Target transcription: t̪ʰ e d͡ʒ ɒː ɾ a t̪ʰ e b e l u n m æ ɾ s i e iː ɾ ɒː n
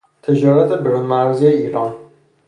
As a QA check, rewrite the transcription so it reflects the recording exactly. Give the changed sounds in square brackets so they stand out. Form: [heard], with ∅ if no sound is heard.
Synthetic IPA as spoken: t̪ʰ e d͡ʒ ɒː ɾ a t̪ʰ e b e [ɾ] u n m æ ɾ [z] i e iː ɾ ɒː n